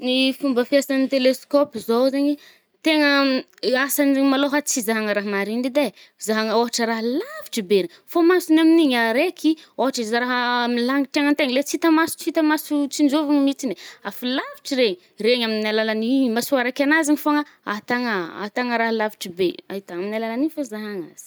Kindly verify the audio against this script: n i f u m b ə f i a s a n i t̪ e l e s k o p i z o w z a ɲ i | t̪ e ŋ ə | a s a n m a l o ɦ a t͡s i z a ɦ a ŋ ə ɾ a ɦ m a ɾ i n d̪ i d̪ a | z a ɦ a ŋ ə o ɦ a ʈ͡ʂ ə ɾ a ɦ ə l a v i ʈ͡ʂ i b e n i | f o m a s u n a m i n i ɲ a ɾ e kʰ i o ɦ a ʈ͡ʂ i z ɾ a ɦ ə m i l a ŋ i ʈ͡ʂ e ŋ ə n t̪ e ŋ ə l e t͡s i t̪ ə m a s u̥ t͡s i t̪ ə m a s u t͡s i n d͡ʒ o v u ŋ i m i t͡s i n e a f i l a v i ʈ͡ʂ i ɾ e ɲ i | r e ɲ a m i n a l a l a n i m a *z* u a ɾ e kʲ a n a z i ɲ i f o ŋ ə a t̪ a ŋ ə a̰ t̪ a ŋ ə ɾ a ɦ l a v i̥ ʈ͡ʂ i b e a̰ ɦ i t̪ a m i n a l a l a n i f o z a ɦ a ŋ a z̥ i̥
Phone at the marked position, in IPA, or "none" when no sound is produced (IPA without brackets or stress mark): s